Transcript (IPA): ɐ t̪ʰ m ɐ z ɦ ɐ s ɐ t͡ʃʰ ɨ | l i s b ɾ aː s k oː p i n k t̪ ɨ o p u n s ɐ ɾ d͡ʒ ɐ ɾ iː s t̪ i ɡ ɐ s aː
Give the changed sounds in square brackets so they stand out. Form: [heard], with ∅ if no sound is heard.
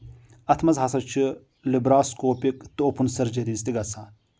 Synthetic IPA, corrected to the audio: ɐ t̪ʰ m ɐ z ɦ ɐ s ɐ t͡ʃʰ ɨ | l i [∅] b ɾ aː s k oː p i [∅] k t̪ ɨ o p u n s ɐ ɾ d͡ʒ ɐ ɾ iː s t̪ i ɡ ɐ s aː